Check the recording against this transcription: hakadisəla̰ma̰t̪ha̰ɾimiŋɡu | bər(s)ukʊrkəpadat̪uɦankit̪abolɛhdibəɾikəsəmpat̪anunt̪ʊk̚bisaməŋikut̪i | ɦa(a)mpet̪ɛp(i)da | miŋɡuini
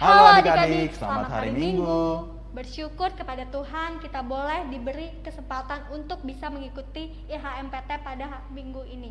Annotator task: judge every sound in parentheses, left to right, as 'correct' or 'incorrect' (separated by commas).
incorrect, incorrect, incorrect